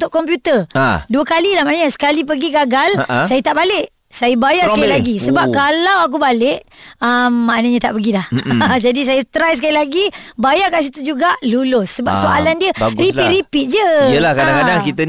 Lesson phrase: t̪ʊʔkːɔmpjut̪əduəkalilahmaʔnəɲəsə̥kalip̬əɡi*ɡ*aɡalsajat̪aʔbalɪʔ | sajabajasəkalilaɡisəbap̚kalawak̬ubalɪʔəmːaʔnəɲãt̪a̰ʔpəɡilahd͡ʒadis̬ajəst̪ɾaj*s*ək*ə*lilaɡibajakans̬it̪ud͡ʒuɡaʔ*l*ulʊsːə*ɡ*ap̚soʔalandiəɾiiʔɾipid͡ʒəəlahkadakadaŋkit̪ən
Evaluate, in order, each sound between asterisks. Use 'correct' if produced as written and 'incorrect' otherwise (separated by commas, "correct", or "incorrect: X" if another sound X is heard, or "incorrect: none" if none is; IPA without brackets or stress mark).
correct, correct, incorrect: a, correct, incorrect: b